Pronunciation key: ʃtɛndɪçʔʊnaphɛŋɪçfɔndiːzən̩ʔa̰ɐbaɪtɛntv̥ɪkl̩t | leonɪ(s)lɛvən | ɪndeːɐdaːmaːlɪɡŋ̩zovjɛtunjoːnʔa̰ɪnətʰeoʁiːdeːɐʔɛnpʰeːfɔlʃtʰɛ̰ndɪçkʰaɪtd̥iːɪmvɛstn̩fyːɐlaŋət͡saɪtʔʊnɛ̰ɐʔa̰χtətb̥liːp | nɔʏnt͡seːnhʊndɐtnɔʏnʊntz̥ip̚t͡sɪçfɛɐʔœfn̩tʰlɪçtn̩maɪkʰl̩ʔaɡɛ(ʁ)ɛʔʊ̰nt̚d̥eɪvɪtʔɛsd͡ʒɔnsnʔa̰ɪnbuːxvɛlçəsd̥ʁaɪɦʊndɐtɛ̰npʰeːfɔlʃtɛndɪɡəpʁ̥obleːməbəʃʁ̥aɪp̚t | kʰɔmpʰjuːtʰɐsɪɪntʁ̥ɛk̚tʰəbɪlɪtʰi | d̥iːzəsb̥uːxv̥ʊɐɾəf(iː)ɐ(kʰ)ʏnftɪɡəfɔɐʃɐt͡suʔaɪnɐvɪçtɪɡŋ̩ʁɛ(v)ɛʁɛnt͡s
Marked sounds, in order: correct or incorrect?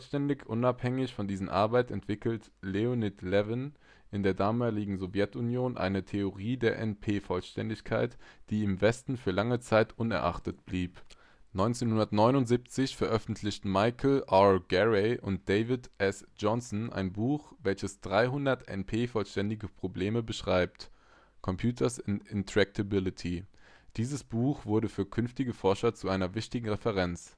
incorrect: t, correct, incorrect: yː, correct, incorrect: f

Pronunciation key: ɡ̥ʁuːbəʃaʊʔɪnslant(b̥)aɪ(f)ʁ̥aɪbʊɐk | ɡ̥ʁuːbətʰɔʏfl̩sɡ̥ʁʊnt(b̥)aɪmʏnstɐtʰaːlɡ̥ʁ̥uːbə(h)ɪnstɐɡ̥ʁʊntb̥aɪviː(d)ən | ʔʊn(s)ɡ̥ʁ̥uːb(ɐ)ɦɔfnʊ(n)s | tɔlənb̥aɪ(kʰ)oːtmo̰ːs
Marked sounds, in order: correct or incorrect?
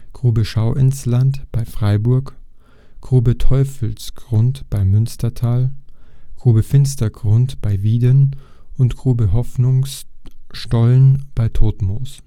correct, correct, correct, incorrect: f, correct, incorrect: t, incorrect: ə, incorrect: ŋ, incorrect: tʰ

